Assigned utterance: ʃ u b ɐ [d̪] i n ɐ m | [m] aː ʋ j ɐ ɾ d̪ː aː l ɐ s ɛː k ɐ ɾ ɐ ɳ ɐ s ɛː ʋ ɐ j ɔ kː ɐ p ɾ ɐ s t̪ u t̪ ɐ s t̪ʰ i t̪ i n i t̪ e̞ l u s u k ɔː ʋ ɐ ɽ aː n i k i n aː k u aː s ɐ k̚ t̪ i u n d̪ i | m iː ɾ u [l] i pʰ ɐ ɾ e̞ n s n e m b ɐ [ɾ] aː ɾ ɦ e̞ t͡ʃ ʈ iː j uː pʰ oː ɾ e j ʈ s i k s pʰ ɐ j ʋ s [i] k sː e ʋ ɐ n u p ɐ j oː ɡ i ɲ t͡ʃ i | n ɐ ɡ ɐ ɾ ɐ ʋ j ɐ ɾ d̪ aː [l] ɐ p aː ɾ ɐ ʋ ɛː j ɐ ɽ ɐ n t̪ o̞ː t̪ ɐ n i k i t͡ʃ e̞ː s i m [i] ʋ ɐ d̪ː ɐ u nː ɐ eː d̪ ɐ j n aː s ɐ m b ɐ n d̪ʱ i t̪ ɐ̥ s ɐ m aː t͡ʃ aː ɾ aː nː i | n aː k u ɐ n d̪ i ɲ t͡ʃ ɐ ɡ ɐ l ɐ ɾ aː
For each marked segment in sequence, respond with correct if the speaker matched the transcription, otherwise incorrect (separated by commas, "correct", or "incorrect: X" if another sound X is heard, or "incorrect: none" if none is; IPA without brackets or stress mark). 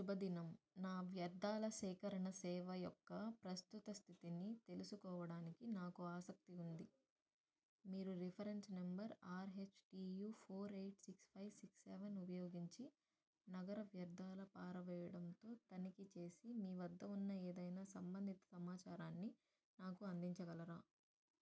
correct, incorrect: n, incorrect: ɾ, correct, correct, correct, incorrect: iː